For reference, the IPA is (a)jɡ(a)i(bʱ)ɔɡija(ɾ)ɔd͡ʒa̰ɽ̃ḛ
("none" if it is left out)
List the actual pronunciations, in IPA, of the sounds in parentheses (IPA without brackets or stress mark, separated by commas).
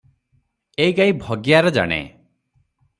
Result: e, a, bʱ, ɾ